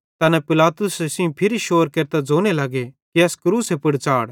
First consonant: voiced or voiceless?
voiceless